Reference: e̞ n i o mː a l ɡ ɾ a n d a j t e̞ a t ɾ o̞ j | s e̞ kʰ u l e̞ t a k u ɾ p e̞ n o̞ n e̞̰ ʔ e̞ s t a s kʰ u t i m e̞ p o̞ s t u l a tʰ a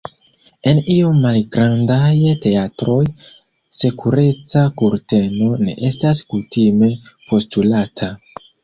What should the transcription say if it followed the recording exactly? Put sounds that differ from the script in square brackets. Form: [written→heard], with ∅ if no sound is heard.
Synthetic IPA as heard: e̞ n i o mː a l ɡ ɾ a n d a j t e̞ a t ɾ o̞ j | s e̞ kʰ u [l→ɾ] e̞ [t→t͡s] a k u ɾ [p→t] e̞ n o̞ n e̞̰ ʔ e̞ s t a s [kʰ→k] u t i m e̞ p o̞ s t u l a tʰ a

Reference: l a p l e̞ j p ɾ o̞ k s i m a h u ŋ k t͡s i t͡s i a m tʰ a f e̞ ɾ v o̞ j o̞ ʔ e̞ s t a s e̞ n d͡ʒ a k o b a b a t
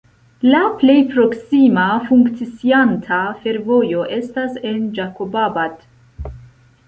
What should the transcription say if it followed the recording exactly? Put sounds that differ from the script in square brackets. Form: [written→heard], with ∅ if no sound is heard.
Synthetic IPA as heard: l a p l e̞ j p ɾ o̞ k s i m a [h→f] u ŋ k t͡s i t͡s i a [m→n] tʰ a f e̞ ɾ v o̞ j o̞ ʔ e̞ s t a s e̞ n d͡ʒ a k o b a b a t

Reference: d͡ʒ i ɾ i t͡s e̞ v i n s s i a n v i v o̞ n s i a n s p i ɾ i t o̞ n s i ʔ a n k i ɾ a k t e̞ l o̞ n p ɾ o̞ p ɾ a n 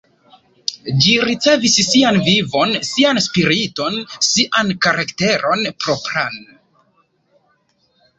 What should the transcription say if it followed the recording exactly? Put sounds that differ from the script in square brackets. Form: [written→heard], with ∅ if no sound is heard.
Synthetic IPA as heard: d͡ʒ i ɾ i t͡s e̞ v i [n→∅] s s i a n v i v o̞ n s i a n s p i ɾ i t o̞ n s i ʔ a n k [i→a] ɾ a k t e̞ [l→ɾ] o̞ n p ɾ o̞ p ɾ a n

